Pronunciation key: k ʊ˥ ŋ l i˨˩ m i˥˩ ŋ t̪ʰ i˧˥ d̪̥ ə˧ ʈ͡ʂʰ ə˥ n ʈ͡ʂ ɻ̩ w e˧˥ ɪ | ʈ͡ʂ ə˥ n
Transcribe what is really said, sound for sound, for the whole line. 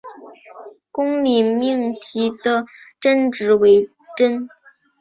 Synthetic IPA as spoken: k ʊ˥ ŋ l i˨˩ m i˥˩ ŋ t̪ʰ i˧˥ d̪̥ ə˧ ʈ͡ʂ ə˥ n ʈ͡ʂ ɻ̩ w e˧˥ ɪ | ʈ͡ʂ ə˥ n